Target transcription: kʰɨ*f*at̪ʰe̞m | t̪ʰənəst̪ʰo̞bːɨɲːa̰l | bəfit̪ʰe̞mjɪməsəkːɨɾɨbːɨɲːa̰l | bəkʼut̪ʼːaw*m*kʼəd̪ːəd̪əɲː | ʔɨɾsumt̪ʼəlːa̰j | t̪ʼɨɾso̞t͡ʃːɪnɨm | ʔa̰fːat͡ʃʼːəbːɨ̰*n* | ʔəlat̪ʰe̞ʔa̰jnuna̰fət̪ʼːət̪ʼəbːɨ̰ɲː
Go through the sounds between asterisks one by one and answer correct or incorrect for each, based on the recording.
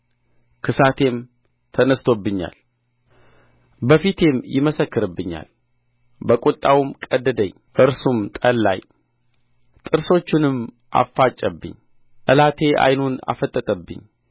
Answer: incorrect: s, correct, incorrect: ɲ

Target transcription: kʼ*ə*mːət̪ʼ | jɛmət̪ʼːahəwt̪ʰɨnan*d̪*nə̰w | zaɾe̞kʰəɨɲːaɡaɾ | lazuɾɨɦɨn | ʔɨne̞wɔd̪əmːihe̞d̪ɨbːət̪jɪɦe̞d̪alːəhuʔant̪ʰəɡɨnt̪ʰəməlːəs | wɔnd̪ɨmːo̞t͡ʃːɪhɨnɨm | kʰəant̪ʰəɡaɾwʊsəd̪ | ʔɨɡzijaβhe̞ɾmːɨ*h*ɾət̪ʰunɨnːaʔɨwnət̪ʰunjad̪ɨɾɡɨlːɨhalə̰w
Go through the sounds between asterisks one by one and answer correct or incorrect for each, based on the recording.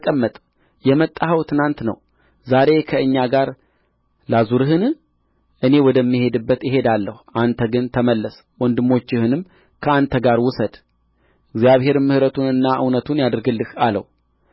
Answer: correct, incorrect: t̪, correct

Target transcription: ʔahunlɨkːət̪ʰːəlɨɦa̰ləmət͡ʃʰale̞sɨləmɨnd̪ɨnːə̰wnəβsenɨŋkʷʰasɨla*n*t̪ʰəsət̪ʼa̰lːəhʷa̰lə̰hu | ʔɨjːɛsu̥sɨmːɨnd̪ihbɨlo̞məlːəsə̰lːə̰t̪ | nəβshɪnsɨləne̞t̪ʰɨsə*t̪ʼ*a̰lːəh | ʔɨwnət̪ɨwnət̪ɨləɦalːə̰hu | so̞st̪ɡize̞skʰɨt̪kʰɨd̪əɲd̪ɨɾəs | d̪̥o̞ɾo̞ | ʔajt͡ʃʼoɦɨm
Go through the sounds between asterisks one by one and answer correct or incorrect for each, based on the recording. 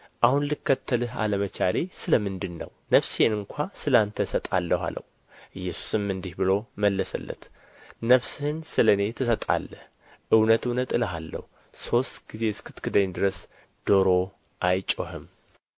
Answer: correct, correct

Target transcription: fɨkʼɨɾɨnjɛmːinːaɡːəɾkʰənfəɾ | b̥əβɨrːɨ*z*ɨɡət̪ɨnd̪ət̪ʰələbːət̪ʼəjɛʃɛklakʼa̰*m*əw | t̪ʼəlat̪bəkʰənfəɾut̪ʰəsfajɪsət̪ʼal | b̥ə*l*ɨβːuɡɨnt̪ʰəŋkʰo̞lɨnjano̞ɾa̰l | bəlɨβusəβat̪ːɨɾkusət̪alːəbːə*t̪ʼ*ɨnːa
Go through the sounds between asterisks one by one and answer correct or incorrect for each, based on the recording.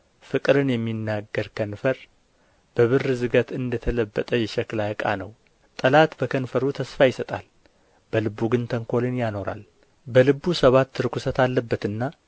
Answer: correct, incorrect: n, correct, incorrect: t̪

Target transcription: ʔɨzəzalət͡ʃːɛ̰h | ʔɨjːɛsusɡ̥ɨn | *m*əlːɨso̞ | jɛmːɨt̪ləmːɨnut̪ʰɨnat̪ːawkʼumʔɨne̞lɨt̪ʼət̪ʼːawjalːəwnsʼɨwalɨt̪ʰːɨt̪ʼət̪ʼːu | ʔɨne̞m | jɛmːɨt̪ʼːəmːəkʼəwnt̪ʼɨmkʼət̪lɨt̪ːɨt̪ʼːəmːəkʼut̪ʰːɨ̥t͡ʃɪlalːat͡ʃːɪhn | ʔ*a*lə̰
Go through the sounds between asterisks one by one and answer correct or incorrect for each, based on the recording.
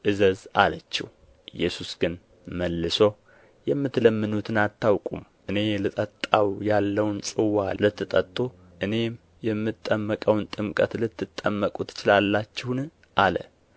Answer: correct, correct

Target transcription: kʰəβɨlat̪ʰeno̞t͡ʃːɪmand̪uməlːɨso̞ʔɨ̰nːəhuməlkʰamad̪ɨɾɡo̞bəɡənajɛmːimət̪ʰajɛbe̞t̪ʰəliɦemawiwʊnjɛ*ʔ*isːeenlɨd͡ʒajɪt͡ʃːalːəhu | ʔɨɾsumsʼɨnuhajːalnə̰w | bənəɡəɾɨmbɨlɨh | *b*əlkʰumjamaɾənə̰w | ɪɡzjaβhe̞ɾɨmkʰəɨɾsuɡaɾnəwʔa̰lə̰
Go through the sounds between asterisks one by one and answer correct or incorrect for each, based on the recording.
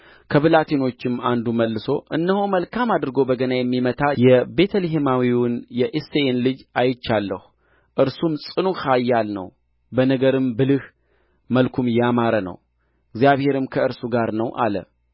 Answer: correct, incorrect: m

